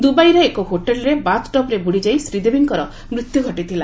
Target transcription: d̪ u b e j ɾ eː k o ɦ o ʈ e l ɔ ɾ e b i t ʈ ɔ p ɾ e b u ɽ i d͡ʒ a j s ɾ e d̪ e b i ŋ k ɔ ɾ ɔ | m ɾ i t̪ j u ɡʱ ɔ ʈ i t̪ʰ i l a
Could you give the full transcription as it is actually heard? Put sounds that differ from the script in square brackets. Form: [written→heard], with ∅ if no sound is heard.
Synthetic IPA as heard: d̪ u b [e→a] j ɾ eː k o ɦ o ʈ e l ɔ ɾ e b [i→a] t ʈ ɔ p ɾ e b u ɽ i d͡ʒ a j s ɾ [e→i] d̪ e b i ŋ k ɔ ɾ ɔ | m ɾ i t̪ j u ɡʱ ɔ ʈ i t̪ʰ i l a